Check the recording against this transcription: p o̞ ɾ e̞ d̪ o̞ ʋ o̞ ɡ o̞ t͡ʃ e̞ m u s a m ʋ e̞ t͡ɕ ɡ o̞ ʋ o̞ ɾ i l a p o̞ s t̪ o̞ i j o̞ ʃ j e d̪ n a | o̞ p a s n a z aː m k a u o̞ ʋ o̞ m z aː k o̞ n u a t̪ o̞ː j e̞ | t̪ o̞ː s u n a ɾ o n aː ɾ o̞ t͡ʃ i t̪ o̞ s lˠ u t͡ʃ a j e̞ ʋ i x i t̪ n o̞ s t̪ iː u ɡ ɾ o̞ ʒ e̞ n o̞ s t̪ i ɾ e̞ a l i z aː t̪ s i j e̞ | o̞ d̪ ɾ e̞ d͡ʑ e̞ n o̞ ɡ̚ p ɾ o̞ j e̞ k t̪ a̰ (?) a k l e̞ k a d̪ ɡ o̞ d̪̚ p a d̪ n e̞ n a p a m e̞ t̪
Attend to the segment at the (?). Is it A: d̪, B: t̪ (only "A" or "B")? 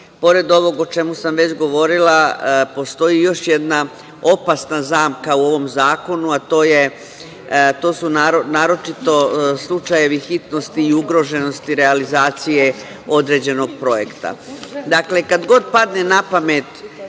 A